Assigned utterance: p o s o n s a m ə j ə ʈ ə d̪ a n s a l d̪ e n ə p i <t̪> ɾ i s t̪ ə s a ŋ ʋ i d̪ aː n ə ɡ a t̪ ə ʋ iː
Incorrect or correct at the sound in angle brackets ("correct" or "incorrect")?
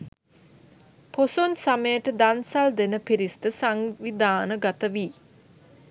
incorrect